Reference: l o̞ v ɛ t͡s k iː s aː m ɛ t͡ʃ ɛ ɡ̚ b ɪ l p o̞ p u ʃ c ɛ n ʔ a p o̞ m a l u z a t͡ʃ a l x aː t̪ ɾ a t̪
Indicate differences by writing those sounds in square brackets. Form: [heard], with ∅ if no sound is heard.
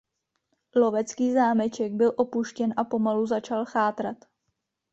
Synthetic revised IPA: l o̞ v ɛ t͡s k iː [z] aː m ɛ t͡ʃ ɛ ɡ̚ b ɪ l [ʔ] o̞ p u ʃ c ɛ n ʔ a p o̞ m a l u z a t͡ʃ a l x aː t̪ ɾ a t̪